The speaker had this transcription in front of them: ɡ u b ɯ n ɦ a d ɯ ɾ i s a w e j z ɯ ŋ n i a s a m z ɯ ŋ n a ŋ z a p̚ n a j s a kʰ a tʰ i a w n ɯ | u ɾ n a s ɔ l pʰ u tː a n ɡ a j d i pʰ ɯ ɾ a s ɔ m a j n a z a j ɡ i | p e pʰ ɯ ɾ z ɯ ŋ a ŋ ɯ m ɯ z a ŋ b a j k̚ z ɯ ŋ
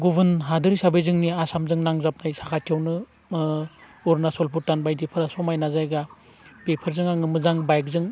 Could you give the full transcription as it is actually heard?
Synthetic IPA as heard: ɡ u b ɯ n ɦ a d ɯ ɾ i s a b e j z ɯ ŋ n i a s a m z ɯ ŋ n a ŋ z a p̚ n a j s a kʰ a tʰ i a w n ɯ | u ɾ n a s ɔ l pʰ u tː a n b a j d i pʰ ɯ ɾ a s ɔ m a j n a z a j ɡ a | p e pʰ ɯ ɾ z ɯ ŋ a ŋ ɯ m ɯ z a ŋ b a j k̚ z ɯ ŋ